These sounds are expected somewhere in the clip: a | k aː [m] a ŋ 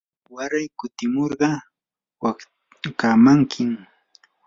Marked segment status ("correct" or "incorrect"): correct